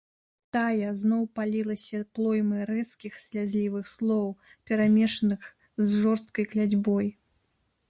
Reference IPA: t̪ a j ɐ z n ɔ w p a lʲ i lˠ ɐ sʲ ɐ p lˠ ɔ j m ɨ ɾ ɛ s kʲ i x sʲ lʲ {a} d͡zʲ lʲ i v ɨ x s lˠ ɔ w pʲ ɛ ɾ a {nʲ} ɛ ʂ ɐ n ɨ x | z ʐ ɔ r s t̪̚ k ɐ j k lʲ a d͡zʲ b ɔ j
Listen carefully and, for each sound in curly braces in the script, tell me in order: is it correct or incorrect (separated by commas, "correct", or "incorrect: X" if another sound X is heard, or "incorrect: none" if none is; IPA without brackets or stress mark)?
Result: correct, incorrect: mʲ